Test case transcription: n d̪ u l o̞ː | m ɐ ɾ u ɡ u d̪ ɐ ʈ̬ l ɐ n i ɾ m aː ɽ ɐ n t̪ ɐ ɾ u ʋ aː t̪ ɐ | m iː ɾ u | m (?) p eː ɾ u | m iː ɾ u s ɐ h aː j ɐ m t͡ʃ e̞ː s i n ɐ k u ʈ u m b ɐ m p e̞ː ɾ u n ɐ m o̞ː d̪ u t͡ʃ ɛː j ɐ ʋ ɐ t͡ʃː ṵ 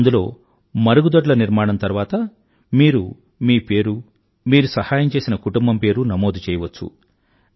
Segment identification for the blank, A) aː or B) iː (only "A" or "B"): B